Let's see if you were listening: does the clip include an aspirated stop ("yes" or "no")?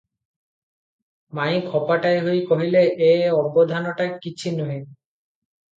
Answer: yes